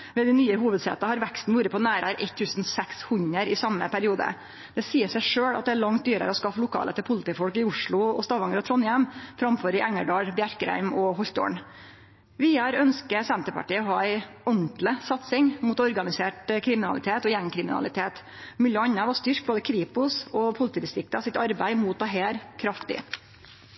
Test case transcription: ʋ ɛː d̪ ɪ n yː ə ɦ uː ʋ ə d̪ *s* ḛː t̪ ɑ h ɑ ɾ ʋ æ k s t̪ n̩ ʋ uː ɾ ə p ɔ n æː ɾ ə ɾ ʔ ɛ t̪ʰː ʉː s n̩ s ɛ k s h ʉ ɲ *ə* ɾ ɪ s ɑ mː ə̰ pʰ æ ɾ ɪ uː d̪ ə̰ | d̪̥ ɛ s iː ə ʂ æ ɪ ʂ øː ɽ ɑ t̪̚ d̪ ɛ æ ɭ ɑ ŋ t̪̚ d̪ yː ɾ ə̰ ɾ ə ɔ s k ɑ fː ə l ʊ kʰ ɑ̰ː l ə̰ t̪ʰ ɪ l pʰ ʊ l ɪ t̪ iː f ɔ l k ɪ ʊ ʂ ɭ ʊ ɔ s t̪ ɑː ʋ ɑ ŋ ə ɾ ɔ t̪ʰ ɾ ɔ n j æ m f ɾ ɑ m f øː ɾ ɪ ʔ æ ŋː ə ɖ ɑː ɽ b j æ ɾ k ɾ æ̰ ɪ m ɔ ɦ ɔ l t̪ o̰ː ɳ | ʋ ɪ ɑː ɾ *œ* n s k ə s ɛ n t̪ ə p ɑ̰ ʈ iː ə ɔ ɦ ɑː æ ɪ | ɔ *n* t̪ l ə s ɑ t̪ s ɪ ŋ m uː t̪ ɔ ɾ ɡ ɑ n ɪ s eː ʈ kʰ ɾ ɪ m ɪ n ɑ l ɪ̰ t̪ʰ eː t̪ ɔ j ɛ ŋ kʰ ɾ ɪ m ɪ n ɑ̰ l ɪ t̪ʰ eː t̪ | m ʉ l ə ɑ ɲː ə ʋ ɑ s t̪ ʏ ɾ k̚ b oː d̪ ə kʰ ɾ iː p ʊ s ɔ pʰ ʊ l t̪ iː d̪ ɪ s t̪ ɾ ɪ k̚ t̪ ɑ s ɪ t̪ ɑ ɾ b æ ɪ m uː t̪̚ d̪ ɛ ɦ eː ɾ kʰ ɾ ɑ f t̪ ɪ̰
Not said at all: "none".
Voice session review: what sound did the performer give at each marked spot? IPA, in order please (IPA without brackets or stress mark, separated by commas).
s, ə, œ, n